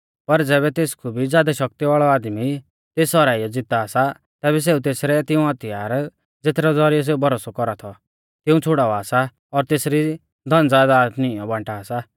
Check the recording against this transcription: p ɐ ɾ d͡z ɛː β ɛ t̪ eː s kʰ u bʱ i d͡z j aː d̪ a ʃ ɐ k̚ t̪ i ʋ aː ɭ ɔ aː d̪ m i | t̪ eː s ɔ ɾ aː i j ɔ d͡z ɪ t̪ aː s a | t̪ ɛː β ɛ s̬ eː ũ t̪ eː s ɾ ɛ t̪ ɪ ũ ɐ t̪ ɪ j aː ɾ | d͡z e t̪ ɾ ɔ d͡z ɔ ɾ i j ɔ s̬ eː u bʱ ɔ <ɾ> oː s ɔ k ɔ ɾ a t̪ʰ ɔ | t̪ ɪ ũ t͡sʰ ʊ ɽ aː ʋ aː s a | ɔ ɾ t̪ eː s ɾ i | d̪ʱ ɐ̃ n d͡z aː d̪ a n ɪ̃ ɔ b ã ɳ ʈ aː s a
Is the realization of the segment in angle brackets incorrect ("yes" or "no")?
no